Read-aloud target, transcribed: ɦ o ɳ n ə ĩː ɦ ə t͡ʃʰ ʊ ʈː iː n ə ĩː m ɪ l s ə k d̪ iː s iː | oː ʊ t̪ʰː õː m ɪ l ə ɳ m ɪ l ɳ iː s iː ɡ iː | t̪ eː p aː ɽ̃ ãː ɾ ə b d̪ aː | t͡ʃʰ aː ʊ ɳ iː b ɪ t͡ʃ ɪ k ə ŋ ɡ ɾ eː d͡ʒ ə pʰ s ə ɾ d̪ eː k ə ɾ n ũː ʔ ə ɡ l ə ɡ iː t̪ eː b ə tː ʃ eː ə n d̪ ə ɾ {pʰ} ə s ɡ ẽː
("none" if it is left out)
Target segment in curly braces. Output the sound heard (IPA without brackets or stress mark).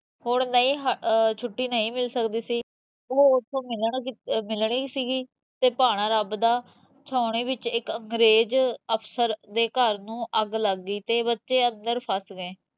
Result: pʰ